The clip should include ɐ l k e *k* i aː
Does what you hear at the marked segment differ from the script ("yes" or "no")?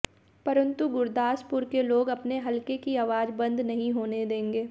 no